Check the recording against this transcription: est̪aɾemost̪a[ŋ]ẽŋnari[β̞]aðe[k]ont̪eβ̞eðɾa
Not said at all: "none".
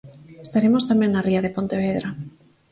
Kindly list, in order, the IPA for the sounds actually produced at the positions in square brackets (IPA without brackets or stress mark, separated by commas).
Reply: m, none, p